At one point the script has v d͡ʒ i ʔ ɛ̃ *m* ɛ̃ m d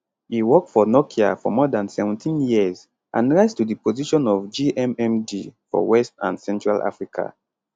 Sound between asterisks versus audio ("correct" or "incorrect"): correct